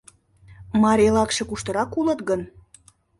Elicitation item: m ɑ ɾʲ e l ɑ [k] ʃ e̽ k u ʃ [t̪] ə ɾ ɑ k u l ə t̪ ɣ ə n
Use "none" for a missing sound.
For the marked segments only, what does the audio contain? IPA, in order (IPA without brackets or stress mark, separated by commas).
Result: k, t̪